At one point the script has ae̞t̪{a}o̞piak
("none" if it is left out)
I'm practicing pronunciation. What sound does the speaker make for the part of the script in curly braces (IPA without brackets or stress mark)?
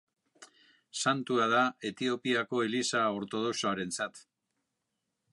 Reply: i